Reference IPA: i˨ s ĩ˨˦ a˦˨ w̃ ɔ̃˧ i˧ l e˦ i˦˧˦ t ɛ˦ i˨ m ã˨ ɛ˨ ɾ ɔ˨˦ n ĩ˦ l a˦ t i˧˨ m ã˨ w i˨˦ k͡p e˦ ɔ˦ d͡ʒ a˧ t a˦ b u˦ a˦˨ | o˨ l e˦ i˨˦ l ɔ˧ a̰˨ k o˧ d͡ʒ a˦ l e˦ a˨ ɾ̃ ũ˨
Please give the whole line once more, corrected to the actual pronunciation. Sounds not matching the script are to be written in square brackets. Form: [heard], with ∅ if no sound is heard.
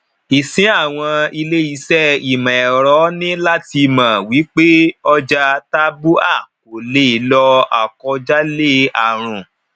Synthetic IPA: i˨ s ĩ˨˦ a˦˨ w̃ ɔ̃˧ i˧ l e˦ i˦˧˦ [s] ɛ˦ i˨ m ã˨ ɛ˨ ɾ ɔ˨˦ n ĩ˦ l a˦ t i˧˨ m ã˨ w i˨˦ k͡p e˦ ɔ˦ d͡ʒ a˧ t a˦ b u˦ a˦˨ | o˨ l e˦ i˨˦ l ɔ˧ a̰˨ k [ɔ˧] d͡ʒ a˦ l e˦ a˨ ɾ̃ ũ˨